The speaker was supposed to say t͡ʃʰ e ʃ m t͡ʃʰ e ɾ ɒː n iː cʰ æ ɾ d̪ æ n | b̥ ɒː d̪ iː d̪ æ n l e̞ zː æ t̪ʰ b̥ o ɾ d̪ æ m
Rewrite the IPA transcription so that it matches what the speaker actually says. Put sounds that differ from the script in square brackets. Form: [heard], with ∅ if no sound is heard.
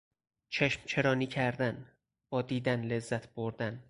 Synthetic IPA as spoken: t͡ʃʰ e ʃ m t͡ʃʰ e ɾ ɒː n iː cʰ æ ɾ d̪ æ n | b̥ ɒː d̪ iː d̪ æ n l e̞ zː æ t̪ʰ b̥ o ɾ d̪ æ [n]